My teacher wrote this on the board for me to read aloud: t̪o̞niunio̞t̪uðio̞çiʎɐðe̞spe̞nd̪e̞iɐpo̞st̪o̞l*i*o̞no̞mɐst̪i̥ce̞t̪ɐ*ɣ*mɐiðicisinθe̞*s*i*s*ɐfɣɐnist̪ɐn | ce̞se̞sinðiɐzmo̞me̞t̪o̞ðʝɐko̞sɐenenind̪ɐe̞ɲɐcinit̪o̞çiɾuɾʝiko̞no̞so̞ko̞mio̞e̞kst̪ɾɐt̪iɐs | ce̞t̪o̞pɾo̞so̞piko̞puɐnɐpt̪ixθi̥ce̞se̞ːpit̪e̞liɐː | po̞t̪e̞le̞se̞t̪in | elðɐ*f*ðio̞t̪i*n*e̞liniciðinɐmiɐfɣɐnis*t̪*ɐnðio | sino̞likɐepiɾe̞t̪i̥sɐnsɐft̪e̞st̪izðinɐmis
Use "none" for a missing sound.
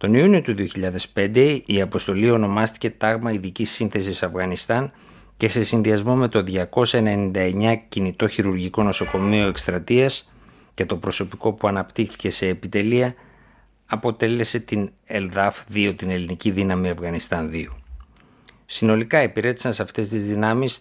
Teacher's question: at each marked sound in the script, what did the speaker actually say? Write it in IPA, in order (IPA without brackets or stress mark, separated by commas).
i, ɣ, s, s, f, n, t̪